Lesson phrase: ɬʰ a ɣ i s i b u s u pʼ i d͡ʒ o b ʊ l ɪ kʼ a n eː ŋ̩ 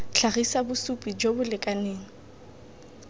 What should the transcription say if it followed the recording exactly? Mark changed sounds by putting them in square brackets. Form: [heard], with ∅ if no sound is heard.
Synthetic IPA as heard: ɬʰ a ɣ i s [a] b [ʊ] s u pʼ i d͡ʒ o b ʊ l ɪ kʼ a n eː ŋ̩